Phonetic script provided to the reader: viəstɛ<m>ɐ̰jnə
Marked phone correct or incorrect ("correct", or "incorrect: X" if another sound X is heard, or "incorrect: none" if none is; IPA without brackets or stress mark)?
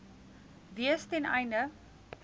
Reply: incorrect: n